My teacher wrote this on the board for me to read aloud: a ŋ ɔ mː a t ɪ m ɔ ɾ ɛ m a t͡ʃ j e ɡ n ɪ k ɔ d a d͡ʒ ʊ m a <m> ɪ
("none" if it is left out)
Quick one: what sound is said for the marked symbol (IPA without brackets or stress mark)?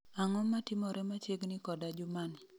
n